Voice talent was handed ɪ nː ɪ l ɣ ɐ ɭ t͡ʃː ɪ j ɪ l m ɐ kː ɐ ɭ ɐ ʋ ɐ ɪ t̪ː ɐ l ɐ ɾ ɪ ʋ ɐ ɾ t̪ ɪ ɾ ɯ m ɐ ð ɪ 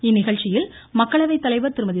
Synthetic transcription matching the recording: ɪ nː ɪ ɣ ɐ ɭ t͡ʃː ɪ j ɪ l m ɐ kː ɐ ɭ ɐ ʋ ɐ ɪ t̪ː ɐ l ɐ ɪ ʋ ɐ ɾ t̪ ɪ ɾ ɯ m ɐ ð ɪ

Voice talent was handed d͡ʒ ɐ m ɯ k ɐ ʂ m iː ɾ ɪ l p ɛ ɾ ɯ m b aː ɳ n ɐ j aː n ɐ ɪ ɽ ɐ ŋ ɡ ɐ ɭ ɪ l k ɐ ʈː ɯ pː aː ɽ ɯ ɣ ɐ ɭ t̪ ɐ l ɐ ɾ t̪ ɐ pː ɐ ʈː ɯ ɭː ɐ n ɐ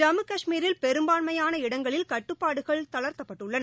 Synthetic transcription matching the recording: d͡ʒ ɐ m ɯ k ɐ ʂ m iː ɾ ɪ l p ɛ ɾ ɯ m b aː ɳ m ɐ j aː n ɐ ɪ ɽ ɐ ŋ ɡ ɐ ɭ ɪ l k ɐ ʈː ɯ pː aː ɽ ɯ ɣ ɐ ɭ t̪ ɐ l ɐ ɾ t̪ ɐ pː ɐ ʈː ɯ ɭː ɐ n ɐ

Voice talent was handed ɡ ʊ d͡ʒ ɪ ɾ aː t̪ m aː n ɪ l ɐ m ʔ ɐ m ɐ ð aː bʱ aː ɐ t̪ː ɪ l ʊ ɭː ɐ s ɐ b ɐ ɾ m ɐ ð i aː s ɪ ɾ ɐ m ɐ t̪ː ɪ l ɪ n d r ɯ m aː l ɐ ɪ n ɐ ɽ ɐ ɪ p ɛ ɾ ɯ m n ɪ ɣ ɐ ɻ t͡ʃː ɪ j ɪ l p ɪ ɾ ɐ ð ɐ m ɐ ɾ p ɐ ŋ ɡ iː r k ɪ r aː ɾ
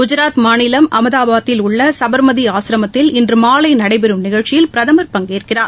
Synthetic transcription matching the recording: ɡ ʊ d͡ʒ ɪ ɾ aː t̪ m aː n ɪ l ɐ m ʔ ɐ m ɐ ð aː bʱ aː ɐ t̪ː ɪ l ʊ ɭː ɐ s ɐ b ɐ ɾ m ɐ ð i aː s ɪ ɾ ɐ m ɐ t̪ː ɪ l ɪ n d r ɯ m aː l ɐ ɪ n ɐ ɽ ɐ ɪ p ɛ ɾ ɯ m n ɪ ɣ ɐ ɻ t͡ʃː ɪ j ɪ l p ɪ ɾ ɐ ð ɐ m ɐ ɾ p ɐ ŋ ɡ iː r k ɪ r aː ɾ

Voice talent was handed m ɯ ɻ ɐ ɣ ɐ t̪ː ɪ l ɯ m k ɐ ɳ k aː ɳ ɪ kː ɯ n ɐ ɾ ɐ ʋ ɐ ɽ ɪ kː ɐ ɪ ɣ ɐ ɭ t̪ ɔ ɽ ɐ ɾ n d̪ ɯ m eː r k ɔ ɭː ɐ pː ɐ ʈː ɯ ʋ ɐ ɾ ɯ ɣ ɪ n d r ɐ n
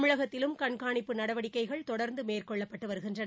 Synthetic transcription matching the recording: m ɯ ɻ ɐ ɣ ɐ t̪ː ɪ l ɯ m k ɐ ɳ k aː ɳ ɪ pː ɯ n ɐ ɽ ɐ ʋ ɐ ɽ ɪ kː ɐ ɪ ɣ ɐ ɭ t̪ ɔ ɽ ɐ ɾ n d̪ ɯ m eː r k ɔ ɭː ɐ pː ɐ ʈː ɯ ʋ ɐ ɾ ɯ ɣ ɪ n d r ɐ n

